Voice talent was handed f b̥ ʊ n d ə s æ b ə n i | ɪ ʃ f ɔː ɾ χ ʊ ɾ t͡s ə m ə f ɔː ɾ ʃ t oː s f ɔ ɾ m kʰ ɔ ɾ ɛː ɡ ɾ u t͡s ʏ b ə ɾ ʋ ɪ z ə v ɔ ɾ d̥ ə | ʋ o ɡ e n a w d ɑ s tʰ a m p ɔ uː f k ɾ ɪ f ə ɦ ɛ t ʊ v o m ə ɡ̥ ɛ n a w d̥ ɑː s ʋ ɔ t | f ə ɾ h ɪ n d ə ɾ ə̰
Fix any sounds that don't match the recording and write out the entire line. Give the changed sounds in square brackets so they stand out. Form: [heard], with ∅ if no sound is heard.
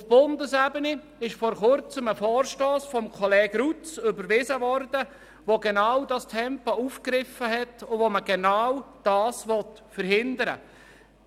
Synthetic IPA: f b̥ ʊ n d ə s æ b ə n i | ɪ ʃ f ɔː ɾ χ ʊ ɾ t͡s ə m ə f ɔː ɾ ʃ t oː s f ɔ [∅] m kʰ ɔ [l] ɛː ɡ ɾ u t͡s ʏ b ə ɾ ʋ ɪ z ə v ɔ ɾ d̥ ə | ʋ o ɡ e n a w d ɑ s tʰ [ɛ] m p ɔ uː f k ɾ ɪ f ə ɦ ɛ t ʊ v o m ə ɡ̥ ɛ n a w d̥ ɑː s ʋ ɔ t | f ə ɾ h ɪ n d ə ɾ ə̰